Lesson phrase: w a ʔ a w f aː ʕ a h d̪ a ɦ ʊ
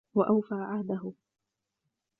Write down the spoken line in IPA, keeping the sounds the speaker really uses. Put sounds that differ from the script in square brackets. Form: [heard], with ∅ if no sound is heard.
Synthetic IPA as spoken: w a ʔ a w f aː ʕ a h d̪ a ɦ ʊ